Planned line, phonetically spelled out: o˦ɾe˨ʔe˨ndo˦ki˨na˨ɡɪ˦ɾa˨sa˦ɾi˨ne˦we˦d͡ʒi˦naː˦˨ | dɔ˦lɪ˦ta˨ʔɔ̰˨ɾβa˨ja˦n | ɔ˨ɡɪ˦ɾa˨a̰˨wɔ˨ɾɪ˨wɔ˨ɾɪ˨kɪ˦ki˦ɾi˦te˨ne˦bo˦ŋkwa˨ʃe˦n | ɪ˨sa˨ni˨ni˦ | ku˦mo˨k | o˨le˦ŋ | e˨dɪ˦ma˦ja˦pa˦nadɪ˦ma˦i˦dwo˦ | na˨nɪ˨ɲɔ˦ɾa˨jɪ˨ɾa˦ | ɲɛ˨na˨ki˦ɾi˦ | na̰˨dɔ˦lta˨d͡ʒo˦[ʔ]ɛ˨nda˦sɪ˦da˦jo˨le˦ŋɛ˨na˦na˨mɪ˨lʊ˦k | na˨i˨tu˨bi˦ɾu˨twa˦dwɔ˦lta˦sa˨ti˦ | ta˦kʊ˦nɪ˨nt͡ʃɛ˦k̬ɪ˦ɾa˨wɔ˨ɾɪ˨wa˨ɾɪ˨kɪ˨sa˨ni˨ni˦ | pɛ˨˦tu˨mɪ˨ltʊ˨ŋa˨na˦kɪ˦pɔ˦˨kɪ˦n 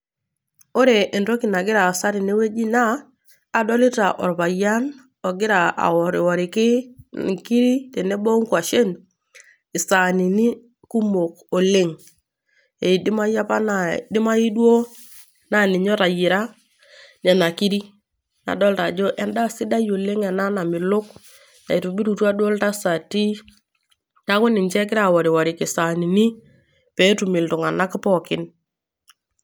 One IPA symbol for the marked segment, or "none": ʔ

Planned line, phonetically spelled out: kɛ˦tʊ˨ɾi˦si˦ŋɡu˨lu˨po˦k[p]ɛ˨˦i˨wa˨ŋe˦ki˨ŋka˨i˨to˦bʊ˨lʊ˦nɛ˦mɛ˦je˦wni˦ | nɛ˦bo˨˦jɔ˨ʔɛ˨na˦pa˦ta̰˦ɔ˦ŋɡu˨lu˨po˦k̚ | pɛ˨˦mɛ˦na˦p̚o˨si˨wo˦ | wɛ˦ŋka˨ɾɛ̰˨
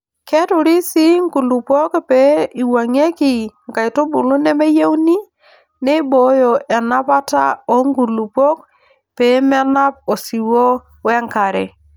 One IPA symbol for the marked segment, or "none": p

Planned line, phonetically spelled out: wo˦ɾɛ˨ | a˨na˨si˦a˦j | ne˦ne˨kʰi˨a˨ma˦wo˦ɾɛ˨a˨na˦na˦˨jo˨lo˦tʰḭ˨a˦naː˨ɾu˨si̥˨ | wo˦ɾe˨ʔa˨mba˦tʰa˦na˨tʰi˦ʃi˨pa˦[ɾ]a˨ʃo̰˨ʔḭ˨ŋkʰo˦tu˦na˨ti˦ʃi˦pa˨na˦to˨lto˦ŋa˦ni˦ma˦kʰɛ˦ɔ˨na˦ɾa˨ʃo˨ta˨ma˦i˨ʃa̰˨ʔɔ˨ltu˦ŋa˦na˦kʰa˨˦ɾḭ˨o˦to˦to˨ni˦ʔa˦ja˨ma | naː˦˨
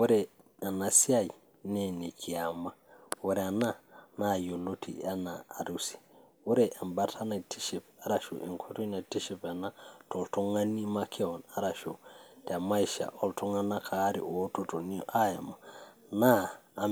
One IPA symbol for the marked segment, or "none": ɾ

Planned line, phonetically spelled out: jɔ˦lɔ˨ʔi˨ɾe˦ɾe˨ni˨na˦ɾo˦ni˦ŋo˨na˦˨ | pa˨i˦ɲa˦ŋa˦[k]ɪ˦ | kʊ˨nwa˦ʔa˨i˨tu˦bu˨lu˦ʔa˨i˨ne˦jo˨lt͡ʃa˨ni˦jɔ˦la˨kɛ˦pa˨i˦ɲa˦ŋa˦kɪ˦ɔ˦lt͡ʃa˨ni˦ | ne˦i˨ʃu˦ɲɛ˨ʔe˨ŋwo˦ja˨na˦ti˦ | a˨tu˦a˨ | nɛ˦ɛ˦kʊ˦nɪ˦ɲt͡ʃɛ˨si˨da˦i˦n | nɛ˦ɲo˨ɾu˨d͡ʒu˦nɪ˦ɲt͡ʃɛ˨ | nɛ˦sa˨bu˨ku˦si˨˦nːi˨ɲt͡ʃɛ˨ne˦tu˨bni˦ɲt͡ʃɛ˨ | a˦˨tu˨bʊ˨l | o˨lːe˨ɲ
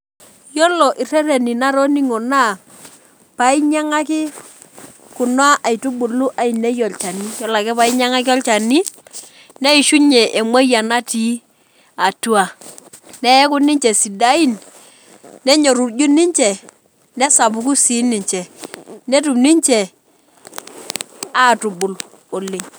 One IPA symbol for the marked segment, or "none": k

